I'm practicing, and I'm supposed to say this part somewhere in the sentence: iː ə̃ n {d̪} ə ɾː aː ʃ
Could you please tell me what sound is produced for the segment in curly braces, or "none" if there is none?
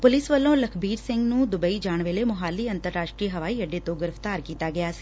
t̪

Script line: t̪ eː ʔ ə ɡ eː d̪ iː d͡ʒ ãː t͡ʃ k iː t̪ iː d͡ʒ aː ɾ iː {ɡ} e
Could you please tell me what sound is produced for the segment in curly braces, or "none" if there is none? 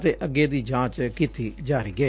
ɡ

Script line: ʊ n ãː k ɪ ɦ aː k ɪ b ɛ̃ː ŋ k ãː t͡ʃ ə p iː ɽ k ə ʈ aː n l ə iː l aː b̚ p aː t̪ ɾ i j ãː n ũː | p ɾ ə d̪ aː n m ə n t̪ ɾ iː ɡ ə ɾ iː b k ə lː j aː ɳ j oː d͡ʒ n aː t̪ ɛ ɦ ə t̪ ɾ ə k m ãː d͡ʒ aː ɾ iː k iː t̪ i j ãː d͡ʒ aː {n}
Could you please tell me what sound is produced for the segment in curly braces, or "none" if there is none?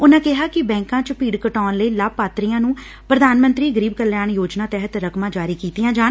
n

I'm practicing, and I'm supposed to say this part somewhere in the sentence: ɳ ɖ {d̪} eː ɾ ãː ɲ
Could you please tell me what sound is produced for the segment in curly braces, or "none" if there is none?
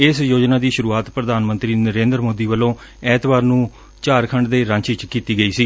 d̪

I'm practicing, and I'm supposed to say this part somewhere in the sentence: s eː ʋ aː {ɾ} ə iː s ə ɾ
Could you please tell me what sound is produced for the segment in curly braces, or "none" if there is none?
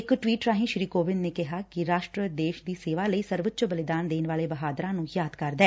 l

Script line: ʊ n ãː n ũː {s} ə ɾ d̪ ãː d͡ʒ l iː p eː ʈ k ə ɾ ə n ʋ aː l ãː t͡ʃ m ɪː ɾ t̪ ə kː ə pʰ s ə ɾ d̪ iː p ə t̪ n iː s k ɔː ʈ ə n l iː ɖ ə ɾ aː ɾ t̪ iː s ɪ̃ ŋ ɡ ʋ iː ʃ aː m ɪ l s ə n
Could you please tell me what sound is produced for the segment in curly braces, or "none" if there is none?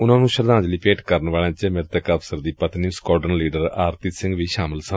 ʃ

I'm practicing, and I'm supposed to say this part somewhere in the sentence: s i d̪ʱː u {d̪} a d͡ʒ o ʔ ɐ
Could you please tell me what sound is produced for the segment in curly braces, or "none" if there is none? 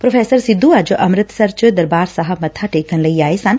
none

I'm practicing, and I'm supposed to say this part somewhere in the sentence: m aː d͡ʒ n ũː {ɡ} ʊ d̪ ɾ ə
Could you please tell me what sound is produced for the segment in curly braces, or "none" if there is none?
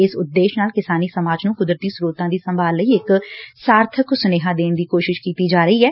k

